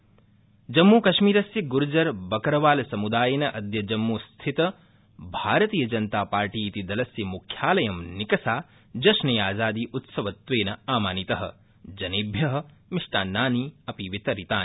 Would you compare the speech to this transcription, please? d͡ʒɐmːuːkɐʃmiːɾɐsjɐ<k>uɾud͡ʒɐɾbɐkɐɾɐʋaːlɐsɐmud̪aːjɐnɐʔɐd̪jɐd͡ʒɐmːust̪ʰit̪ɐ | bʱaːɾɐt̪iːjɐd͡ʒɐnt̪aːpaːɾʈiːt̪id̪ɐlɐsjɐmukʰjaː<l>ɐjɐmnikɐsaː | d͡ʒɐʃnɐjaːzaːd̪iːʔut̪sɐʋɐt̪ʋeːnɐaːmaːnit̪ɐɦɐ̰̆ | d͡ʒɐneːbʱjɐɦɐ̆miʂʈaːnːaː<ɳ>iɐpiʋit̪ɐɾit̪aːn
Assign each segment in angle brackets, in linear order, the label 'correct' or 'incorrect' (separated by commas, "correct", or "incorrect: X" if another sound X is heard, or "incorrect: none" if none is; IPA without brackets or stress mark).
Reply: incorrect: ɡ, correct, incorrect: n